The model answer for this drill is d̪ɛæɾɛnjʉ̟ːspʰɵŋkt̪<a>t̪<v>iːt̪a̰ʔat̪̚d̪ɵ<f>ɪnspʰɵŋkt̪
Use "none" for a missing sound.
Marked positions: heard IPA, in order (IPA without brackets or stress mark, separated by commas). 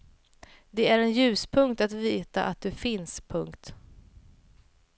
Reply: a, v, f